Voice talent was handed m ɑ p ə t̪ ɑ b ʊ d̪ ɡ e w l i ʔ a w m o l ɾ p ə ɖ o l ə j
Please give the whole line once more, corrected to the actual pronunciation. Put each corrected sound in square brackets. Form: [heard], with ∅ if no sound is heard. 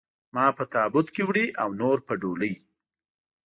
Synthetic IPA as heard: m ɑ p ə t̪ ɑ b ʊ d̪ [k] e w [ɽ] i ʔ a w [n] o [∅] ɾ p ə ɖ o l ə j